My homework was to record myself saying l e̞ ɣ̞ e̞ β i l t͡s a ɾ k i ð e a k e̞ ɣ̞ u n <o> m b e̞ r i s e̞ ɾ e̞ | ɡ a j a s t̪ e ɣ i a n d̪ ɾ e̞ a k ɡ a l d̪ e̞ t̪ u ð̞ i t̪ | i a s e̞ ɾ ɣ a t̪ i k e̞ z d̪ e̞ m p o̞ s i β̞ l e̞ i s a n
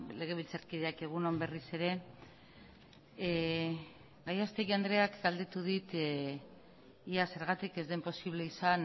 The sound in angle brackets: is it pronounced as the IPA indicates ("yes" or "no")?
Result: yes